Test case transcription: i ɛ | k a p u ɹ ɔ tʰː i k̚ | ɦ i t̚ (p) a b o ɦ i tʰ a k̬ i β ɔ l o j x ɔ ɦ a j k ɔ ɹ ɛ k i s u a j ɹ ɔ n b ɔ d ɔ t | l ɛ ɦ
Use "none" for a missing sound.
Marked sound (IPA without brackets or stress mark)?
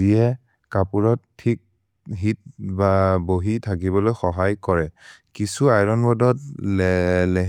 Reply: b